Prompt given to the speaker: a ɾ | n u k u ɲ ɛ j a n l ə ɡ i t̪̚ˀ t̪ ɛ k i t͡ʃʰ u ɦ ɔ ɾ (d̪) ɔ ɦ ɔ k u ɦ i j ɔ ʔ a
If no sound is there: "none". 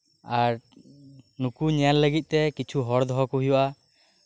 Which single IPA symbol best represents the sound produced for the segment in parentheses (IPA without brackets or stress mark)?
d̪